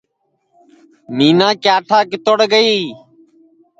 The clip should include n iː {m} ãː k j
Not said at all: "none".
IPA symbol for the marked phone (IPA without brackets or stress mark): n